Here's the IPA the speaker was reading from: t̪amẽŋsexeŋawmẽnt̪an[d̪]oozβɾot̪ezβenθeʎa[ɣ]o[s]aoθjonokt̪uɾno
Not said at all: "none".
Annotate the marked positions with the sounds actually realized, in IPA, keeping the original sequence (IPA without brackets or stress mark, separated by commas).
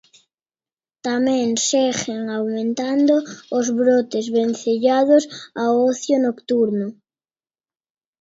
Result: d̪, ð, s